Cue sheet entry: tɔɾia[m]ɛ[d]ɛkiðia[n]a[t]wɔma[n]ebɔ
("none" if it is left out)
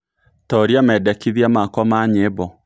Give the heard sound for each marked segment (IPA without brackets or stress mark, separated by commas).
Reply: m, d, m, k, ɲ